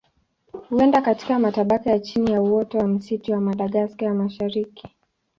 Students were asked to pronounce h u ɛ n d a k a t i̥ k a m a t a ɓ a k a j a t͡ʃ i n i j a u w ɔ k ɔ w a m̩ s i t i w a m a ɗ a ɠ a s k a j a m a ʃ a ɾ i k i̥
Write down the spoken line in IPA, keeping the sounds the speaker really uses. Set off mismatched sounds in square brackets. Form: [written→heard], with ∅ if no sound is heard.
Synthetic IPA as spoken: h u ɛ n d a k a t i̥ k a m a t a ɓ a k a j a t͡ʃ i n i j a u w ɔ [k→t] ɔ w a m̩ s i t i w a m a ɗ a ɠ a s k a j a m a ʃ a ɾ i k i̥